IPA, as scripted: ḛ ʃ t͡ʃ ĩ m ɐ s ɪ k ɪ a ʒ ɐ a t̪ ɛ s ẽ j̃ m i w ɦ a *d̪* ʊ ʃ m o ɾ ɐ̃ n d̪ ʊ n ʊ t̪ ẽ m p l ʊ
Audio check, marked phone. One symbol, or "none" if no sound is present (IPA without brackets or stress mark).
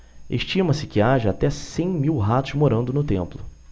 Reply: t̪